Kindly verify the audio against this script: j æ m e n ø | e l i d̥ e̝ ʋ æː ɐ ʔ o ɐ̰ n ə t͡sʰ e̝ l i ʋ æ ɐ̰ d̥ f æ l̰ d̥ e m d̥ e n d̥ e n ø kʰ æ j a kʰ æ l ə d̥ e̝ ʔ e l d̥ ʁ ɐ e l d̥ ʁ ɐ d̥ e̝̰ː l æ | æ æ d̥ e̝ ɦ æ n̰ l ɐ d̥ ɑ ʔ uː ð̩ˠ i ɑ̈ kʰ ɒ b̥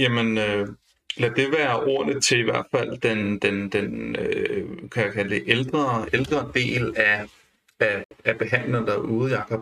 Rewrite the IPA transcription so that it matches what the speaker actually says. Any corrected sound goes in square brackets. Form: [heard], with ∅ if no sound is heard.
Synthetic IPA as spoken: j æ m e n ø | e l [æ] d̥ e̝ ʋ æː ɐ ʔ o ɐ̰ n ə t͡sʰ e̝ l i ʋ æ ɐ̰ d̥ f æ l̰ d̥ e [n] d̥ e n d̥ e n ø kʰ æ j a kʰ æ l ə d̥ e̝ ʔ e l d̥ ʁ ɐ e l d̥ ʁ ɐ d̥ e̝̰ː l æ | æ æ [b̥] e̝ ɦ æ n̰ l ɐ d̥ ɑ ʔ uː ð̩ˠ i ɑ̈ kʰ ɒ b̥